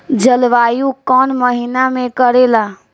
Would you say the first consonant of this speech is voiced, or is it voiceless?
voiced